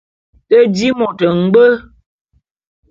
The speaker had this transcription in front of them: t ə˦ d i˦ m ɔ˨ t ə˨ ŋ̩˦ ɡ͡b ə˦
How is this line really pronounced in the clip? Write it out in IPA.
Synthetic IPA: t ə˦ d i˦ m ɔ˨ t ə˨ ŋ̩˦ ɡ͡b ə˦